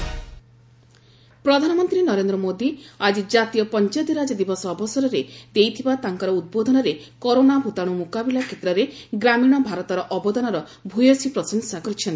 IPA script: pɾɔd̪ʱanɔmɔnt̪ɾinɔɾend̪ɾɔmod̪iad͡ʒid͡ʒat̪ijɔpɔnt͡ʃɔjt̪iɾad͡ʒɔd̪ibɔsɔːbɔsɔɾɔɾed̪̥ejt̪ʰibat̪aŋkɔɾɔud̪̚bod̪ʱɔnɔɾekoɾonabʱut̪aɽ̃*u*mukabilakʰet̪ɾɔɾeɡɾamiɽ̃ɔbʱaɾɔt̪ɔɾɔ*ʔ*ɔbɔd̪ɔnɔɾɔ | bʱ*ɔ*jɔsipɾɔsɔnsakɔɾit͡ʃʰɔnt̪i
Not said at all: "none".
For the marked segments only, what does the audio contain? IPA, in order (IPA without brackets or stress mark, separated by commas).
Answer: u, ʔ, u